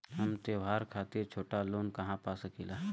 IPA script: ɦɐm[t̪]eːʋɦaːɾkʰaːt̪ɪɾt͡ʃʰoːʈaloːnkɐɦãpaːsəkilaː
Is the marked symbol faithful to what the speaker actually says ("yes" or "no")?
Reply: yes